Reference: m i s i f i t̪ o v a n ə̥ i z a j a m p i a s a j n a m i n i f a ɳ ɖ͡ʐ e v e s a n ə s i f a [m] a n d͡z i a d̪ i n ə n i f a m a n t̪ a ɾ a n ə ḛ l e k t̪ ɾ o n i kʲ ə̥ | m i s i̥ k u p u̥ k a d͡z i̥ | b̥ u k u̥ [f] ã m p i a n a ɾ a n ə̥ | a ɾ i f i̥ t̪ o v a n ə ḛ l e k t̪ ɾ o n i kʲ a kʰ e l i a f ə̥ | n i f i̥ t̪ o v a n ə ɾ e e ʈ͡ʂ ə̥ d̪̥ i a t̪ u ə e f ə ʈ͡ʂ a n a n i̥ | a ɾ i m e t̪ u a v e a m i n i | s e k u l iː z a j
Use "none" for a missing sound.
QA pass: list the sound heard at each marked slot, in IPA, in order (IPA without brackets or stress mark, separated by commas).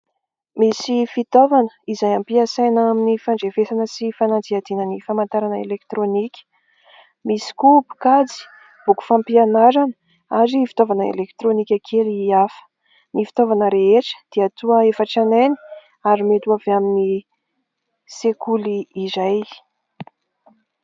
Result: n, f